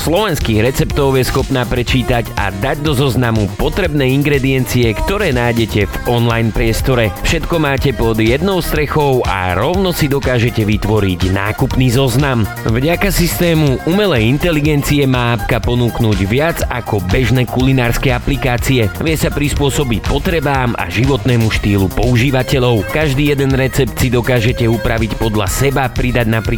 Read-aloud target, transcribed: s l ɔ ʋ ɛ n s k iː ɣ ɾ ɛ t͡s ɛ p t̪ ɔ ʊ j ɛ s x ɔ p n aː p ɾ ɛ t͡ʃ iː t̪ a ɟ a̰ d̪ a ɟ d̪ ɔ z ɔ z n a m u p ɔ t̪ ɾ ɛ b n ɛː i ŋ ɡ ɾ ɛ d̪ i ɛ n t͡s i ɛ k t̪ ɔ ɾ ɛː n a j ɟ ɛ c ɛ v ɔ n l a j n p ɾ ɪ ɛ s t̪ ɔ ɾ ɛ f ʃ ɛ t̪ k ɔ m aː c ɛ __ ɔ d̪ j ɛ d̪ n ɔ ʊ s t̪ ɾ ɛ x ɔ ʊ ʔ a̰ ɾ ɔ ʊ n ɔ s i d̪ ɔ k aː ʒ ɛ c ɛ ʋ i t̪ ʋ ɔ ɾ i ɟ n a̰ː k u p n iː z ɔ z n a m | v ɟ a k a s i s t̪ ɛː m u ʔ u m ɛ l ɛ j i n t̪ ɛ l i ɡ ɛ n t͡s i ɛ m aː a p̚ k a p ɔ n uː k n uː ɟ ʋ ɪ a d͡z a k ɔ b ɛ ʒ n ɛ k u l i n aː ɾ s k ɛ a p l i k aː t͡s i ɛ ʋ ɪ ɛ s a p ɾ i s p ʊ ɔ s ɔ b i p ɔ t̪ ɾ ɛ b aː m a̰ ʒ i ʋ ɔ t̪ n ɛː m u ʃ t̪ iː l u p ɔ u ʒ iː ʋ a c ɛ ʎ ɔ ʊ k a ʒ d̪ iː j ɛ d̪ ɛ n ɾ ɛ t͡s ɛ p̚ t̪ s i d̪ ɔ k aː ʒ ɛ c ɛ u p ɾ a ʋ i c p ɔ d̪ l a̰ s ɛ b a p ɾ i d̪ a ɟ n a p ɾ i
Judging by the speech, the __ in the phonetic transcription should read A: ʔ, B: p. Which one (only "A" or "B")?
B